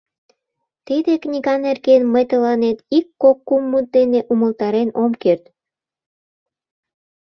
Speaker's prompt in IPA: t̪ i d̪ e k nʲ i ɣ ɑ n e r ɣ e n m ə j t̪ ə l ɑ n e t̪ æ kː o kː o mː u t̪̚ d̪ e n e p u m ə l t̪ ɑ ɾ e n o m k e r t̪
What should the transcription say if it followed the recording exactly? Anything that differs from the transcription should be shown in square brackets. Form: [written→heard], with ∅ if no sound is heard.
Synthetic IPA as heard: t̪ i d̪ e k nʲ i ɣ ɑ n e r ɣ e n m ə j t̪ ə l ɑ n e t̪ [æ→i] kː o kː [o→u] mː u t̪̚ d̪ e n e [p→ʔ] u m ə l t̪ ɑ ɾ e n o m k e r t̪

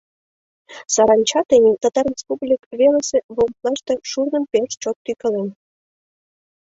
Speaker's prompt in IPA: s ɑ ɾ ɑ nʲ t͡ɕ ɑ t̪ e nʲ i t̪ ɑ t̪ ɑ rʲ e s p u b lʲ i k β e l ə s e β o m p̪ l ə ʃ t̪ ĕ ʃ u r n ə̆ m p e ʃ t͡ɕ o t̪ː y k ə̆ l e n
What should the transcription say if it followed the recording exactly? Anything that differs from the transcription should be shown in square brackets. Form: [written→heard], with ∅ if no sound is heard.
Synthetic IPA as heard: s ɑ ɾ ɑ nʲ t͡ɕ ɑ t̪ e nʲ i t̪ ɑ t̪ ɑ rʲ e s p u b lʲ i k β e l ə s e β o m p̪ l [ə→ɑ] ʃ t̪ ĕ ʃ u r n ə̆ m p e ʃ t͡ɕ o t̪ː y k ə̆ l e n

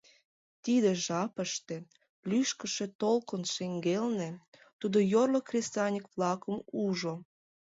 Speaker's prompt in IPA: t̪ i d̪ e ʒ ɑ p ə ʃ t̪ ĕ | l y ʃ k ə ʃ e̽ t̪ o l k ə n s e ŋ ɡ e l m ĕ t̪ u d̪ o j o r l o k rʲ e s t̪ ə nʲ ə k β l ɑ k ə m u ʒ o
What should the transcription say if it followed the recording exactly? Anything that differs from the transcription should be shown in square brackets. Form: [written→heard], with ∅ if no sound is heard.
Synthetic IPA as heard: t̪ i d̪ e ʒ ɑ p ə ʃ t̪ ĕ | l y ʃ k ə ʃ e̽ t̪ o l k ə n [s→ʃ] e ŋ ɡ e l [m→n] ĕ t̪ u d̪ o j o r l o k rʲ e s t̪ [ə→ɑ] nʲ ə k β l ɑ k ə m u ʒ o

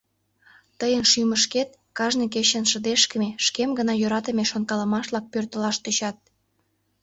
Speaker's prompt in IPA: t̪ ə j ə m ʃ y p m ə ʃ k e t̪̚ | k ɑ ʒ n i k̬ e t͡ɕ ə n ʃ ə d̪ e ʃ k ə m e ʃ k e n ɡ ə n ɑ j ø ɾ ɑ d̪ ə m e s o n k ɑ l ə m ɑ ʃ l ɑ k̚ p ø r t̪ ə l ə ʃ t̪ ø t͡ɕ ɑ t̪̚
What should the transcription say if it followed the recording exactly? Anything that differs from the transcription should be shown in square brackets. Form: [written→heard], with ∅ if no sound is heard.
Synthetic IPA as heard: t̪ ə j ə [m→n] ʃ y [p→∅] m ə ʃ k e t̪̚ | k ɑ ʒ n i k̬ e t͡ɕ ə n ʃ ə d̪ e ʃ k ə m e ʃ k e [n→m] ɡ ə n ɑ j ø ɾ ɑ [d̪→t̪] ə m e [s→ʃ] o n k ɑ l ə m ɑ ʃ l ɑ k̚ p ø r t̪ ə l [ə→ɑ] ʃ t̪ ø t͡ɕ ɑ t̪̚

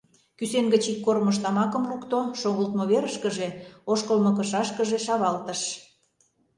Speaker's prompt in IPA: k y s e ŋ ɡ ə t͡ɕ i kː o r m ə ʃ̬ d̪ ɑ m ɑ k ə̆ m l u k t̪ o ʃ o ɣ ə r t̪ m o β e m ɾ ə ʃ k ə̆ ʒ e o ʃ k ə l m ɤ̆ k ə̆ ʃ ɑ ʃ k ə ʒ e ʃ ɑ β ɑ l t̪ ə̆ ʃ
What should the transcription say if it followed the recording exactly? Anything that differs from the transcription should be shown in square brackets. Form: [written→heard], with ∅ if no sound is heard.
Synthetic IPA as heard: k y s e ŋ ɡ ə t͡ɕ i kː o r m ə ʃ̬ [d̪→t̪] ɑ m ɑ k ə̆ m l u k t̪ o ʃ o ɣ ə [r→l] t̪ m o β e [m→∅] ɾ ə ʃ k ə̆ ʒ e o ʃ k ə l m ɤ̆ k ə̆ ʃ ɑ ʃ k ə ʒ e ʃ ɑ β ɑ l t̪ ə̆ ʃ

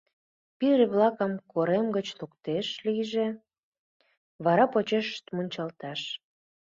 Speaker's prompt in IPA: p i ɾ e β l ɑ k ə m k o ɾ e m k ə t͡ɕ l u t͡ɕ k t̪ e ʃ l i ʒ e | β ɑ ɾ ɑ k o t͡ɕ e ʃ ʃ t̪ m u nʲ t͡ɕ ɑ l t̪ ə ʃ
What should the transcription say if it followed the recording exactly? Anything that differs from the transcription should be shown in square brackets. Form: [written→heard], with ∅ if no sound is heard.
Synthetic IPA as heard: p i ɾ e β l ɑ k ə m k o ɾ e m [k→ɡ] ə t͡ɕ l u [t͡ɕ→∅] k t̪ e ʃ l i ʒ e | β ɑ ɾ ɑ [k→p] o t͡ɕ e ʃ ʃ t̪ m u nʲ t͡ɕ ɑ l t̪ [ə→ɑ] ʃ

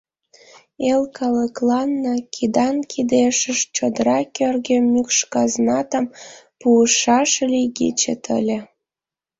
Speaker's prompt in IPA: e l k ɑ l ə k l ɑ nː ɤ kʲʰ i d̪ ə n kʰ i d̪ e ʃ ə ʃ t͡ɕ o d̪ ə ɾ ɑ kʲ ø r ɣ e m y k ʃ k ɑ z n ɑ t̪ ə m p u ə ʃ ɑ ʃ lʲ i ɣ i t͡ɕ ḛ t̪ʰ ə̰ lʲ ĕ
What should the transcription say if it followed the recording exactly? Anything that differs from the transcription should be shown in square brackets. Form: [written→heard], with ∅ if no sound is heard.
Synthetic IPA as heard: e l k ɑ l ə k l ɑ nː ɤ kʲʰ i d̪ [ə→ɑ] n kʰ i d̪ e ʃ ə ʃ t͡ɕ o d̪ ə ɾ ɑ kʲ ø r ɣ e m y k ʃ k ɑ z n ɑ t̪ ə m p u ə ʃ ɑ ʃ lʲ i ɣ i t͡ɕ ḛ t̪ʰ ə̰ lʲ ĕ

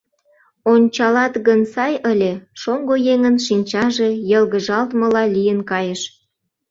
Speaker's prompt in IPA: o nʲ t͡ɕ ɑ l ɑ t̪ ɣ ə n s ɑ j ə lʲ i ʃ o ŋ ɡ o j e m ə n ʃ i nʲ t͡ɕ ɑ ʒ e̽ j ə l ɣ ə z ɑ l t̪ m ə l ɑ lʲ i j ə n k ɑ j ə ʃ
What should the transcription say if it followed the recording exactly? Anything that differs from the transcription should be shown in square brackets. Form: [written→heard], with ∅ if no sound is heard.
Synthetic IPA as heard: o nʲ t͡ɕ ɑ l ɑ t̪ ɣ ə n s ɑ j ə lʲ [i→e] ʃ o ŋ ɡ o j e [m→ŋ] ə n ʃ i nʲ t͡ɕ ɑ ʒ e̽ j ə l ɣ ə [z→ʒ] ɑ l t̪ m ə l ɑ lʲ i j ə n k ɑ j ə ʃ

